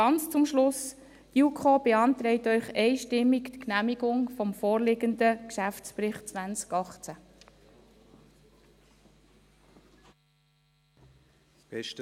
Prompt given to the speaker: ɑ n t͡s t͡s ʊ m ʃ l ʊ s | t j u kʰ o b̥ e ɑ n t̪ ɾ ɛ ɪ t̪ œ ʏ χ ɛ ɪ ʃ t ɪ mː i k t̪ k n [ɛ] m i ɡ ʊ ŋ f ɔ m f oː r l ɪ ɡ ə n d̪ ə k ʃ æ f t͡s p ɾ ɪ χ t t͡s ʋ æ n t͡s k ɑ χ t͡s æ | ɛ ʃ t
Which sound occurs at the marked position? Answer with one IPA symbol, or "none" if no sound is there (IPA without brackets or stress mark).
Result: æ